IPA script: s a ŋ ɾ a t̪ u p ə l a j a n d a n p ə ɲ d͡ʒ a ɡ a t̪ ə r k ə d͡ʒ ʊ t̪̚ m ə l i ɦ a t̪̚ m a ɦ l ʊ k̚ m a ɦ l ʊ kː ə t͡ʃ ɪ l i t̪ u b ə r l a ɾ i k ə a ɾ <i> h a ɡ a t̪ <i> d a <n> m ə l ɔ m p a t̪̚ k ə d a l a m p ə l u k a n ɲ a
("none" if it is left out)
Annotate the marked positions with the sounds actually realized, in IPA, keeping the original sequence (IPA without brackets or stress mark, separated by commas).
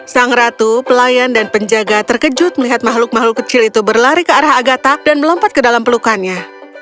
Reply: a, a, n